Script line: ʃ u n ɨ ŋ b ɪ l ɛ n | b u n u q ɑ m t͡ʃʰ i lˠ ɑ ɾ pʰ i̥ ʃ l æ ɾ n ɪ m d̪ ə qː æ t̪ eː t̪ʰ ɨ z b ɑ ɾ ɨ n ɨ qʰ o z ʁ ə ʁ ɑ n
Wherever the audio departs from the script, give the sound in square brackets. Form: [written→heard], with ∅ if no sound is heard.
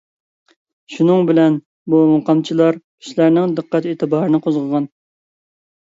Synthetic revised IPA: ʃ u n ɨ ŋ b ɪ l ɛ n | b u [n→m] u q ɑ m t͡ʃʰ i lˠ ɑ ɾ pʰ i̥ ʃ l æ ɾ n ɪ [m→ŋ] d̪ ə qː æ t̪ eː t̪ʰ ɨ [z→∅] b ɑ ɾ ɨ n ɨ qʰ o z ʁ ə ʁ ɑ n